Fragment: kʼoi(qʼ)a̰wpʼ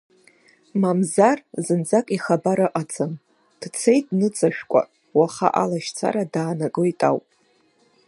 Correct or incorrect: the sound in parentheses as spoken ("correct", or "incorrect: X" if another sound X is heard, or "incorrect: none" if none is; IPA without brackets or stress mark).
incorrect: tʼ